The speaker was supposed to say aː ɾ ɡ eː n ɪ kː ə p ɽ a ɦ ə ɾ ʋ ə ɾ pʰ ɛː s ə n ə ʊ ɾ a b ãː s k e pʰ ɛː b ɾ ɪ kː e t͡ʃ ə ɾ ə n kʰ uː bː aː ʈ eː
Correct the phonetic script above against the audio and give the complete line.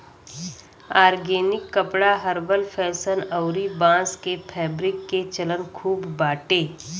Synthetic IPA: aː ɾ ɡ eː n ɪ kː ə p ɽ a ɦ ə ɾ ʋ ə l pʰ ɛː s ə n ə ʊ ɾ i b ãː s k e pʰ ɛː b ɾ ɪ kː e t͡ʃ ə l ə n kʰ uː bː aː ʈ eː